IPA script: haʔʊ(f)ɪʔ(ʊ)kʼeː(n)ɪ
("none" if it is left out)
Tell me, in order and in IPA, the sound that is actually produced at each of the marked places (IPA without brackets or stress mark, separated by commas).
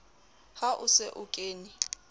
s, ʊ, n